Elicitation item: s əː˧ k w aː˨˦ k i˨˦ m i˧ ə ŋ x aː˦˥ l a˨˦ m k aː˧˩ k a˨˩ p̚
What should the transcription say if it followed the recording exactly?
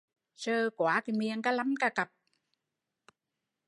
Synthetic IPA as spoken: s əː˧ k w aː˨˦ k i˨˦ m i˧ ə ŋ k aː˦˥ l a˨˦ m k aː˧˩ k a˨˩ p̚